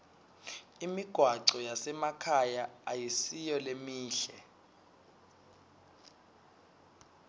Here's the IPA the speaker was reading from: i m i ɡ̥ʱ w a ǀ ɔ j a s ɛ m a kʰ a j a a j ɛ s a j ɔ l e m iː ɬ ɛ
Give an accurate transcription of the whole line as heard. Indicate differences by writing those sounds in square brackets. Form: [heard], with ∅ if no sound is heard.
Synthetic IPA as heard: i m i ɡ̥ʱ w a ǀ ɔ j a s ɛ m a kʰ a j a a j [i] s [i] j ɔ l e m iː ɬ ɛ